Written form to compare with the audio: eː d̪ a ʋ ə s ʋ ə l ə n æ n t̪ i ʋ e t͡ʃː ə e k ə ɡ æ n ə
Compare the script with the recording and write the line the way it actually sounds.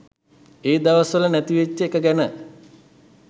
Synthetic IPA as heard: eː d̪ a ʋ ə s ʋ ə l ə n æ t̪ i ʋ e t͡ʃː ə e k ə ɡ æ n ə